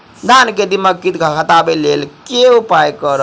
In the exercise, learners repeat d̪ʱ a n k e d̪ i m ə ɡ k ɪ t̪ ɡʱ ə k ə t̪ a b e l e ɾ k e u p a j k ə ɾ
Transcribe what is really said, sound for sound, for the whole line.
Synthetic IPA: d̪ʱ a n k e d̪ i m ə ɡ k i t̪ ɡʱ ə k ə t̪ a b e l e l k e u p a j k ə ɾ